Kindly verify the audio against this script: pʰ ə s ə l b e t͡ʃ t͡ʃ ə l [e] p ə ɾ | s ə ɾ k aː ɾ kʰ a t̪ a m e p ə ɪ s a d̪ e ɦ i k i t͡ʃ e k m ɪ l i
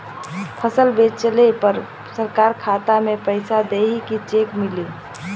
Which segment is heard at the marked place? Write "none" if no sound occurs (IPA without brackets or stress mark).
e